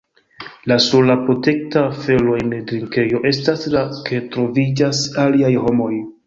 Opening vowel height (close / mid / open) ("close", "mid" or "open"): open